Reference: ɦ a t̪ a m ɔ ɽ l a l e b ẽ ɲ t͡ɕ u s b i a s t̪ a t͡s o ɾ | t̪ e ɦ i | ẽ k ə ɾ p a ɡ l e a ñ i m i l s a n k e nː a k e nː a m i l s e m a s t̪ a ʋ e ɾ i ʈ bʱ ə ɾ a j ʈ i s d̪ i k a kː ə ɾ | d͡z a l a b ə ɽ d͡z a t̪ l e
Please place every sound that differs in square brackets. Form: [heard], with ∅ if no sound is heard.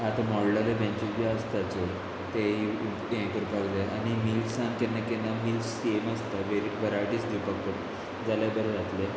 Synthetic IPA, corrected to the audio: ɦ a t̪ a m ɔ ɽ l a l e b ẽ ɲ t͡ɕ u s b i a s t̪ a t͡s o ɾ | t̪ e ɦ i | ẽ k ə ɾ p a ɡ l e a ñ i m i l s a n k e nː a k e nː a m i l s e m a s t̪ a ʋ e ɾ i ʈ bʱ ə ɾ a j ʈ i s d̪ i [p] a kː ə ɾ | d͡z a l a b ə [ɾ] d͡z a t̪ l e